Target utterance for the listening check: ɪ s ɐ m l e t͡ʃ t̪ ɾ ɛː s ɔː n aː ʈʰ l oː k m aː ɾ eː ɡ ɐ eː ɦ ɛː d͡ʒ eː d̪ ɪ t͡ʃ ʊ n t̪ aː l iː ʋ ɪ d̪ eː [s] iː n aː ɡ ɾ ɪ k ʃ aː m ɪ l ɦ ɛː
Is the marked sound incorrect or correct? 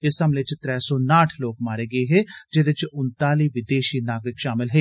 incorrect